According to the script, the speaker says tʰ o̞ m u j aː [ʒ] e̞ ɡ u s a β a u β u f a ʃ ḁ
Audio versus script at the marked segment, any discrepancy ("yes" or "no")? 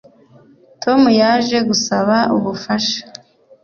no